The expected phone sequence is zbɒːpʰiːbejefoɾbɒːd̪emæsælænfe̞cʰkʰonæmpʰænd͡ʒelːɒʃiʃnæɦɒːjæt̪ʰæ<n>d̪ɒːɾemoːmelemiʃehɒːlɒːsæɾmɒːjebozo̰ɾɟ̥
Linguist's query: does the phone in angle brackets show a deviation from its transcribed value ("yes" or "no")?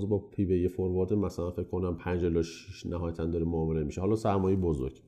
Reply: no